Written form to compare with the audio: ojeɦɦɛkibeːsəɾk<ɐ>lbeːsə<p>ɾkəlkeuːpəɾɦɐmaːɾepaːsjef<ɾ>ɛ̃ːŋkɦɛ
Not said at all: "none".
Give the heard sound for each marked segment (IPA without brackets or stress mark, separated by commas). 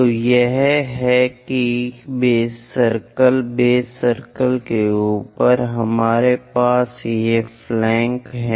ə, none, l